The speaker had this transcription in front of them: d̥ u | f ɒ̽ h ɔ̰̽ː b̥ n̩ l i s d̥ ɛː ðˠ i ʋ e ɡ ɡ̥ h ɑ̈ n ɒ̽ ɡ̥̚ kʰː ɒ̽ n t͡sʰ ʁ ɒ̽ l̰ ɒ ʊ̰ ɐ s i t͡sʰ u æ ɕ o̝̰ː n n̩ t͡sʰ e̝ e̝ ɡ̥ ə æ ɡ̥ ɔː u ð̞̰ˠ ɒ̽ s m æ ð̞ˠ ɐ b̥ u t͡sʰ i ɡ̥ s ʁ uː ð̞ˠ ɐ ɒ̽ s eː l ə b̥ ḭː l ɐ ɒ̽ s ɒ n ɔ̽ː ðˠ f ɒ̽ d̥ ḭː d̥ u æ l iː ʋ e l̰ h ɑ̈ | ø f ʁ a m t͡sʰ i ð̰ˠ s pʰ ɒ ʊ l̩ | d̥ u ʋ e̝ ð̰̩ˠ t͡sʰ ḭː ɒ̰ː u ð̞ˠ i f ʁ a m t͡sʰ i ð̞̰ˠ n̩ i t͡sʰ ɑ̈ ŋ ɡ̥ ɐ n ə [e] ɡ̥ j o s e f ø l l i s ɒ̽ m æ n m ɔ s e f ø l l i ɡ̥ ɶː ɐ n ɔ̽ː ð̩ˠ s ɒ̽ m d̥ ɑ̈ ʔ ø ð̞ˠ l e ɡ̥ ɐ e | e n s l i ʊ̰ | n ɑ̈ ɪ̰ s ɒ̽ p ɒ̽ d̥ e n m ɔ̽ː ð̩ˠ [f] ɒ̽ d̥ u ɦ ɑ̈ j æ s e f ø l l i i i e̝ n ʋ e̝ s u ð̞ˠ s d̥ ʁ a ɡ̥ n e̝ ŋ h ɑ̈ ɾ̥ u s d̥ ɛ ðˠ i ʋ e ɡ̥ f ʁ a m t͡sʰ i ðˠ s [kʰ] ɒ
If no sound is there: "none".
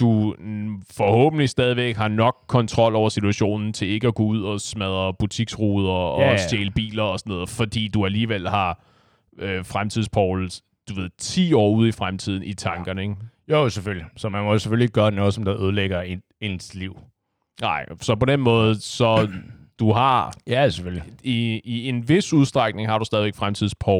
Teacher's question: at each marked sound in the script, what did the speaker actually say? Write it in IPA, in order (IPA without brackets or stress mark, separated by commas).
e, s, pʰ